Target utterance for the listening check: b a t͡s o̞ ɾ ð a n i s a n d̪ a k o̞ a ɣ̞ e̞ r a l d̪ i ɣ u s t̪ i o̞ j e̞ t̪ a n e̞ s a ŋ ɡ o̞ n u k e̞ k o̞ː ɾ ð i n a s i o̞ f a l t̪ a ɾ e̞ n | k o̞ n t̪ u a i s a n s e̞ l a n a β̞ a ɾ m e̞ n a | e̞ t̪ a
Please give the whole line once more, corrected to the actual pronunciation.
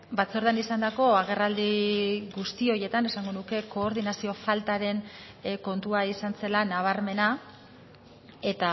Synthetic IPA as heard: b a t͡s o̞ ɾ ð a n i s a n d̪ a k o̞ a ɣ̞ e̞ r a l d̪ i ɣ u s t̪ i o̞ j e̞ t̪ a n e̞ s a ŋ ɡ o̞ n u k e̞ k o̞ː ɾ ð i n a s i o̞ f a l t̪ a ɾ e̞ n | k o̞ n t̪ u a i s a n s e̞ l a n a β̞ a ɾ m e̞ n a | e̞ t̪ a